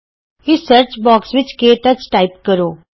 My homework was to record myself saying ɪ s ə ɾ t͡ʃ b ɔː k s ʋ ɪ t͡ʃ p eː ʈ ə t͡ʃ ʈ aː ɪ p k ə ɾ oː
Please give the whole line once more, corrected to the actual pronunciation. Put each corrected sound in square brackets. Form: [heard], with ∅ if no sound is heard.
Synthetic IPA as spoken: ɪ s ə ɾ t͡ʃ b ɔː k s ʋ ɪ t͡ʃ [k] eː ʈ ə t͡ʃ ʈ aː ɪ p k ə ɾ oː